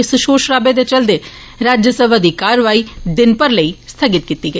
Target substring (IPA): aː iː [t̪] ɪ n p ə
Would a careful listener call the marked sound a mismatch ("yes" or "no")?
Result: yes